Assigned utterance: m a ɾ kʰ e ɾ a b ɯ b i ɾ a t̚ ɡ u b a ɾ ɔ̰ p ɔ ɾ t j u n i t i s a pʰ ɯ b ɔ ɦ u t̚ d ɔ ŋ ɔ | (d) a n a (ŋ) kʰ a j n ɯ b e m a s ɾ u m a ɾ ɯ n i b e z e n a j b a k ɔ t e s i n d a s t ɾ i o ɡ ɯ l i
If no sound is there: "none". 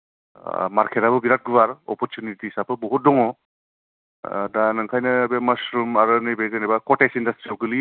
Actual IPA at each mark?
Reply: d, ŋ

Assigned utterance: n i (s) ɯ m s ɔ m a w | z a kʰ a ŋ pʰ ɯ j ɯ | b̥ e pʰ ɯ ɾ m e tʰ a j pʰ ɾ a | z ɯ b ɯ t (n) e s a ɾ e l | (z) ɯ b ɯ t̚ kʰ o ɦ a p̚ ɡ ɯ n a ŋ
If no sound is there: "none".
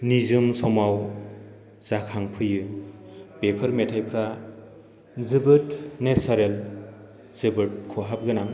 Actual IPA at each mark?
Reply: z, n, z

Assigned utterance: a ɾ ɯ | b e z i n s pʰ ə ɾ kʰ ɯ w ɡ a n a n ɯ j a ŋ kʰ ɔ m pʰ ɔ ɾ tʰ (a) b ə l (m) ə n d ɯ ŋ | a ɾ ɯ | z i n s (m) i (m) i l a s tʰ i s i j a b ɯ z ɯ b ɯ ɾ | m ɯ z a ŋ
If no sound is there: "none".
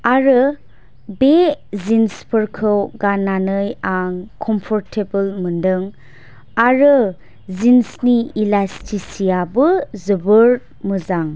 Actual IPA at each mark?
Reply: e, m, n, none

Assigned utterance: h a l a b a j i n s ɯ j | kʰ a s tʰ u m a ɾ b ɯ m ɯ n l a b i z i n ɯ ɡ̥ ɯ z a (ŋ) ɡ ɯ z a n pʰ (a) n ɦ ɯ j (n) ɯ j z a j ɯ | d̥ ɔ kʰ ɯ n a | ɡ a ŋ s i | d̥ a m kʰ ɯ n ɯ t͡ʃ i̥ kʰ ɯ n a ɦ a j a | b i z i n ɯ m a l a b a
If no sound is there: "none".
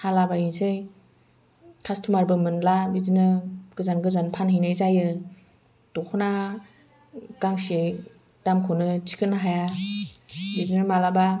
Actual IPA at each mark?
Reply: n, a, n

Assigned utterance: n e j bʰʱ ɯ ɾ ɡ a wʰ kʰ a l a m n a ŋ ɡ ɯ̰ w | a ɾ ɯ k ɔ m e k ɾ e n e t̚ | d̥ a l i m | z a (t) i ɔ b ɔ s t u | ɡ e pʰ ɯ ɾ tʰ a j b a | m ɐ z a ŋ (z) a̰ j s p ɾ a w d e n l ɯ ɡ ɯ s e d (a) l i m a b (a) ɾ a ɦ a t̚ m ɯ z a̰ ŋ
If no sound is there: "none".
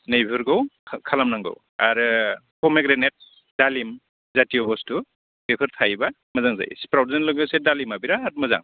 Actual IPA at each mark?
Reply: t, z, a, i

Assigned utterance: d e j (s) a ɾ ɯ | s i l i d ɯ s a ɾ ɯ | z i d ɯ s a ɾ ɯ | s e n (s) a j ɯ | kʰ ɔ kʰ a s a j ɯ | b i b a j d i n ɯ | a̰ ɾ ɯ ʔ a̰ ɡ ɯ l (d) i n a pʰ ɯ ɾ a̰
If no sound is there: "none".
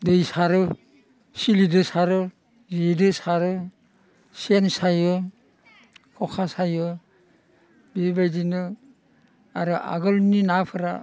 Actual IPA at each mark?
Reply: s, s, n

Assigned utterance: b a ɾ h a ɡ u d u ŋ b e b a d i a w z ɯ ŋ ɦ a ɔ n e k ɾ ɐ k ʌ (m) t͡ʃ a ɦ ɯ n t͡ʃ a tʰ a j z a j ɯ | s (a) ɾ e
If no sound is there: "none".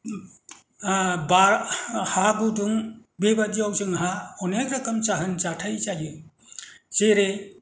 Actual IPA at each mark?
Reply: m, e

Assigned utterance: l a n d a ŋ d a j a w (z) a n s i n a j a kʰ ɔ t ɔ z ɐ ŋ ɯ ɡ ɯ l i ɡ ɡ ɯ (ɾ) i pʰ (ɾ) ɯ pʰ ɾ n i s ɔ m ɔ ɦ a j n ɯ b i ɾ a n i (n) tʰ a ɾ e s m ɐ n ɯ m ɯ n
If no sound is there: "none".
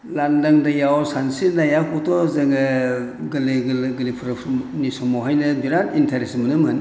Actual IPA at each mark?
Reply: s, l, ɾ, n

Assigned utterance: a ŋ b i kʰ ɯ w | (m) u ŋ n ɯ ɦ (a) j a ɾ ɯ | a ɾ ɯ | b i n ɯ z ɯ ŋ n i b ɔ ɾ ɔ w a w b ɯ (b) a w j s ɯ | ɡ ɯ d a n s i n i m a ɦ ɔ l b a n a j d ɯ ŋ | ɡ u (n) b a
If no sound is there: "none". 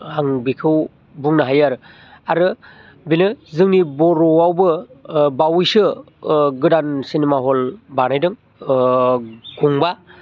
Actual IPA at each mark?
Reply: b, a, b, ŋ

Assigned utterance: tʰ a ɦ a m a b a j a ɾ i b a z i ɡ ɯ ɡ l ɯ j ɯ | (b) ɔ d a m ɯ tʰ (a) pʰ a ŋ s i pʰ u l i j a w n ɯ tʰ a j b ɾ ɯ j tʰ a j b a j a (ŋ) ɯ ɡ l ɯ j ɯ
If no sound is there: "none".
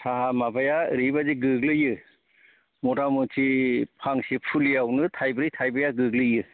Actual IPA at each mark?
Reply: m, i, ɡ

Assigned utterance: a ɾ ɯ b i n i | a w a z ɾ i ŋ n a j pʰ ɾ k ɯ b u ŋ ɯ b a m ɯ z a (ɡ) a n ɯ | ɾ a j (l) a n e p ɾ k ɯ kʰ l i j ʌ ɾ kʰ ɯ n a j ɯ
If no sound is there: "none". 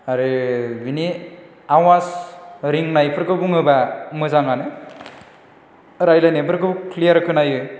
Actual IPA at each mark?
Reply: ŋ, l

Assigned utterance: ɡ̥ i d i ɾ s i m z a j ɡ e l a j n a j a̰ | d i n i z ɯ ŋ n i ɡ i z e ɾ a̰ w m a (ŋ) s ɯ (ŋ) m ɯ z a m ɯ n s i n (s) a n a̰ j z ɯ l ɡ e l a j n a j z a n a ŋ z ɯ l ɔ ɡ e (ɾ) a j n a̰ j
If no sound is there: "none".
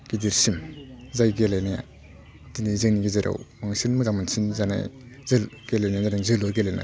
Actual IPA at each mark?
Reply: ŋ, n, z, l

